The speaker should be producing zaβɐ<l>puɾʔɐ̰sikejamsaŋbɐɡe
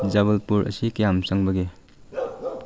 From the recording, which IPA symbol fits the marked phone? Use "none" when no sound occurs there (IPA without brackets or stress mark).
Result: l